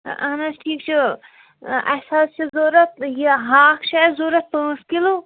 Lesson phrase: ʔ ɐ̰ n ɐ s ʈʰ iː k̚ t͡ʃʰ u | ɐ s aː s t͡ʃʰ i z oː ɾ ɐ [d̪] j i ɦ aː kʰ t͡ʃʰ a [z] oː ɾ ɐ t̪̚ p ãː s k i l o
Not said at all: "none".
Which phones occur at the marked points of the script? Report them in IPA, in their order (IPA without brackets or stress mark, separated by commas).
t̪, z